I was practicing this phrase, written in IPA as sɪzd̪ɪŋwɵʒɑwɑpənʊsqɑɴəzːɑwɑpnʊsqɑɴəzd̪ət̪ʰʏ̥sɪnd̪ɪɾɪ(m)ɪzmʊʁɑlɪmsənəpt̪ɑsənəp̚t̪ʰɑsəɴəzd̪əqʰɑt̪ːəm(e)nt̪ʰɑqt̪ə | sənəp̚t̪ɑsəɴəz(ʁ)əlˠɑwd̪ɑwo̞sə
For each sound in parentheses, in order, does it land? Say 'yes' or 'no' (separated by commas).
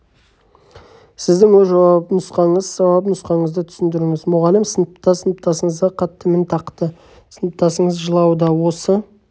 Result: no, yes, no